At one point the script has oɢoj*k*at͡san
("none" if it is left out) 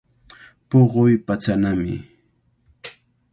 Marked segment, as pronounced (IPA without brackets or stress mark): p